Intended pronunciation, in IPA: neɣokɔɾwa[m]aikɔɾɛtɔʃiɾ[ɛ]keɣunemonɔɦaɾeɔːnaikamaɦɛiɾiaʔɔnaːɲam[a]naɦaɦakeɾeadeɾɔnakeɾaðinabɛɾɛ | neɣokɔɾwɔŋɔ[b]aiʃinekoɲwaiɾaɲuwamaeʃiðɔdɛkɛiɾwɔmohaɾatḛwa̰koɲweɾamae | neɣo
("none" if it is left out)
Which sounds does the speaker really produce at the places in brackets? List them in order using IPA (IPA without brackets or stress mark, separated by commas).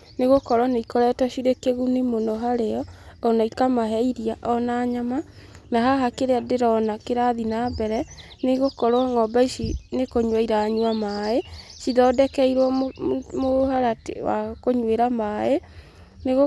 n, e, a, b